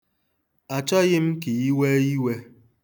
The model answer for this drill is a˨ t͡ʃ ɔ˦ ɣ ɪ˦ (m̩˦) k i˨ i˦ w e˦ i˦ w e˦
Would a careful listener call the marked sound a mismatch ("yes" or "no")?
no